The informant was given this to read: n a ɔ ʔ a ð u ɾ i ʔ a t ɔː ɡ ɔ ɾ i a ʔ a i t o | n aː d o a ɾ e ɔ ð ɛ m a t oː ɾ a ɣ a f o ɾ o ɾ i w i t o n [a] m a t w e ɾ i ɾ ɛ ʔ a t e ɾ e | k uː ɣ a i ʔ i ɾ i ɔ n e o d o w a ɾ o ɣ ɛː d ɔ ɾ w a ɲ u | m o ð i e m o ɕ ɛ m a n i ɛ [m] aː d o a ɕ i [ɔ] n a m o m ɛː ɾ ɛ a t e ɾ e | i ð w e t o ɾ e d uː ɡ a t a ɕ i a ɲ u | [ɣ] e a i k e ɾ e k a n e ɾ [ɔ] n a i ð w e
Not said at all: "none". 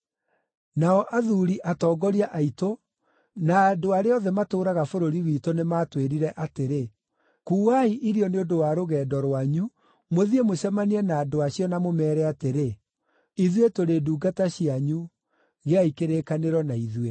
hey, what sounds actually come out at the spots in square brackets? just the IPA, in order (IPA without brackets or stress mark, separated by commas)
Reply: e, n, ɔ, ɣ, ɔ